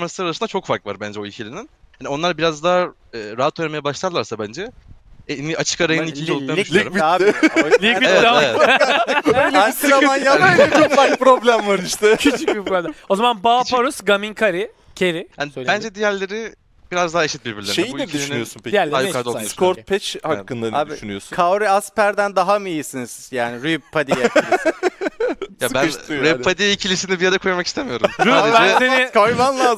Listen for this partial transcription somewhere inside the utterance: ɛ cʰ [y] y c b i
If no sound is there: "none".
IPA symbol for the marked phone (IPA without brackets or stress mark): y